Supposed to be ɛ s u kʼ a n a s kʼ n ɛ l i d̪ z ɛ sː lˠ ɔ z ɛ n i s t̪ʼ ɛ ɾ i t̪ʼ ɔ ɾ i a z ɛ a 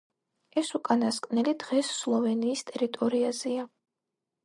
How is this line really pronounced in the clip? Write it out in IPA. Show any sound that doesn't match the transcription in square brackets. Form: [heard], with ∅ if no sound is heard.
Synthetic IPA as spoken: ɛ s u kʼ a n a s kʼ n ɛ l i d̪ [ʁ] ɛ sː lˠ ɔ [v] ɛ n [iː] s t̪ʼ ɛ ɾ i t̪ʼ ɔ ɾ i a z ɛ a